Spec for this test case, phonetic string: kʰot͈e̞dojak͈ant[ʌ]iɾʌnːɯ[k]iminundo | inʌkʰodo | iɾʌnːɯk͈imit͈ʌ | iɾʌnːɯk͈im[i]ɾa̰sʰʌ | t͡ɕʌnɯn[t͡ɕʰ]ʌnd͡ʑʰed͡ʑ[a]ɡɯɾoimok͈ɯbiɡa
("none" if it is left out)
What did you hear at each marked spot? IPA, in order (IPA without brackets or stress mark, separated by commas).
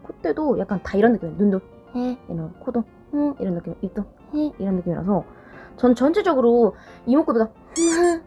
a, k, i, t͡ɕ, ʌ